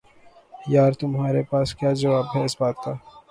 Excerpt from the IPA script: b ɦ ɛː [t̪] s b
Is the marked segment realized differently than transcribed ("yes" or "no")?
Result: yes